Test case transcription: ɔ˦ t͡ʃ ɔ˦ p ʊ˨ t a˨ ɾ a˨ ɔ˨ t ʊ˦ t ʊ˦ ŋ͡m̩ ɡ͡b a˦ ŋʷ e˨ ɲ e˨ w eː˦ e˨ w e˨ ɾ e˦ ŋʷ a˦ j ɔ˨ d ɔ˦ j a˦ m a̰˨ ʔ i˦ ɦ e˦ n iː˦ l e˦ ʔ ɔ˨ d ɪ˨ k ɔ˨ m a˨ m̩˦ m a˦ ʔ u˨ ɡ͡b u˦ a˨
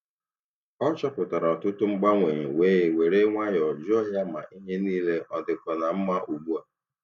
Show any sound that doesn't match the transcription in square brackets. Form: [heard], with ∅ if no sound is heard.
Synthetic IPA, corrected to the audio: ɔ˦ t͡ʃ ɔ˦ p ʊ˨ t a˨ ɾ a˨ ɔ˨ t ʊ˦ t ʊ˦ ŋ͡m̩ ɡ͡b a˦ ŋʷ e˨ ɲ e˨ w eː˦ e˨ w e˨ ɾ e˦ ŋʷ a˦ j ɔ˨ [d͡ʒ] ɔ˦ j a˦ m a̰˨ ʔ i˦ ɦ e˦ n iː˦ l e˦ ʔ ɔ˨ d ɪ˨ k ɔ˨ [n] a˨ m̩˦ m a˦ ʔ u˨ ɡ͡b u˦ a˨

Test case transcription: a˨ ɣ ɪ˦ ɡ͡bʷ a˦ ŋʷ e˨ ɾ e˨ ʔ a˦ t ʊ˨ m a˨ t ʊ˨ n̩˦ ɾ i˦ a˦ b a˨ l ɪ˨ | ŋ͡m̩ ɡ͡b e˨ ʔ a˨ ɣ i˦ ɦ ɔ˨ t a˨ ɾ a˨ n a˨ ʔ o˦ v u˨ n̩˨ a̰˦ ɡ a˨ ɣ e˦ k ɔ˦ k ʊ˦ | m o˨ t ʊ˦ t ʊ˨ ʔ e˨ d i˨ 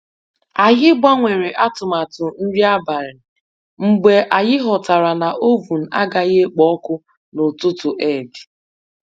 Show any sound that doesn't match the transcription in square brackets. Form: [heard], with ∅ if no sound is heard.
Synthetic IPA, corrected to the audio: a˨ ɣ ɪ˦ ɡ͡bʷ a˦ ŋʷ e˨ ɾ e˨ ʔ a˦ t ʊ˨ m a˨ t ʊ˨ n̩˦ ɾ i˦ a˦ b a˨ [ɾ] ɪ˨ | ŋ͡m̩ ɡ͡b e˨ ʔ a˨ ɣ [ɪ˦] ɦ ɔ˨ t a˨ ɾ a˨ n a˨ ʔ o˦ v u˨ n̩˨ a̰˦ ɡ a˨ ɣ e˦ [k͡p] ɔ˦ k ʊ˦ | [n] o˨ t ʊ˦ t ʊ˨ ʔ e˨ d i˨

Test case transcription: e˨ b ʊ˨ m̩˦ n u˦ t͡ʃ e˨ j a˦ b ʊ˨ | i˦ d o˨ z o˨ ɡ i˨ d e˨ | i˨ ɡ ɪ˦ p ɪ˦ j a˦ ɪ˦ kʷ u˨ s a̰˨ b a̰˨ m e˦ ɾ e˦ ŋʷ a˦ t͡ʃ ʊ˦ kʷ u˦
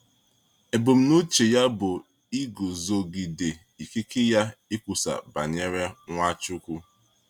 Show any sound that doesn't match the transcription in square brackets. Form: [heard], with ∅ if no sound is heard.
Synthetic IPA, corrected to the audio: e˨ b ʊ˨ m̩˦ n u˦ t͡ʃ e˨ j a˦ b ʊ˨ | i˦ [ɡ] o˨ z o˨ ɡ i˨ d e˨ | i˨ [k] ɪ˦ [k] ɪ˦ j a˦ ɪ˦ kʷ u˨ s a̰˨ b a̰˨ [ɲ] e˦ ɾ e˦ ŋʷ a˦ t͡ʃ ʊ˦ kʷ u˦

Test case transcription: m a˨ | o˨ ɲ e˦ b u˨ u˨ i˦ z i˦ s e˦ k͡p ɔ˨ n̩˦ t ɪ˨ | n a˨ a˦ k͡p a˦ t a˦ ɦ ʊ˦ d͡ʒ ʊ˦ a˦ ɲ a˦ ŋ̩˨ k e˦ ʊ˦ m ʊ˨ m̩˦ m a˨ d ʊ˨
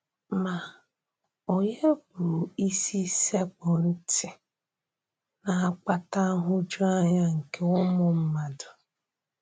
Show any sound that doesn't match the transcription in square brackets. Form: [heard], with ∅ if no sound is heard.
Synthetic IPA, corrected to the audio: m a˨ | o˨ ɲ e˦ b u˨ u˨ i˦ [s] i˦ s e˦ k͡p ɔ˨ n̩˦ t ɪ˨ | n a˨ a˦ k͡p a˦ t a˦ ɦ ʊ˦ d͡ʒ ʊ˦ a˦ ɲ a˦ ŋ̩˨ k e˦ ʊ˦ m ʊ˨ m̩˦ m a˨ d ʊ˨

